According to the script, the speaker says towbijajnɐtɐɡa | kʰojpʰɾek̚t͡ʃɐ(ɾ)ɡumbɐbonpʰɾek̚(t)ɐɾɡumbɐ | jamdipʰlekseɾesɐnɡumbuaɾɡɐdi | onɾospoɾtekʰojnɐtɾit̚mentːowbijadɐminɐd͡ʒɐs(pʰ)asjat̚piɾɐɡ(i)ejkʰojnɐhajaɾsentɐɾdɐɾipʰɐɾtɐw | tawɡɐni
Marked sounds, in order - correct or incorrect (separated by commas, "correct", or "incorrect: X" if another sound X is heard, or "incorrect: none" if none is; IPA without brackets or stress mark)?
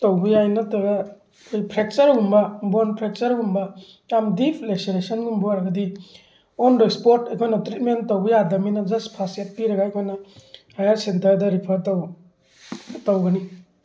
correct, incorrect: t͡ʃ, correct, incorrect: a